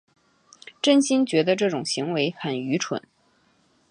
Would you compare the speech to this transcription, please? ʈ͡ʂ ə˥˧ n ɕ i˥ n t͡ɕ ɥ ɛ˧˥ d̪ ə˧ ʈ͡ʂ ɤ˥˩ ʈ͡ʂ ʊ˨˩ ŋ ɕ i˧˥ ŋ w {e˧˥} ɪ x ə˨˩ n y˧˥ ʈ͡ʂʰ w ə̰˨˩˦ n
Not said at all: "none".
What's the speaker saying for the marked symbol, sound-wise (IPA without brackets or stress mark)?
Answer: e˧˥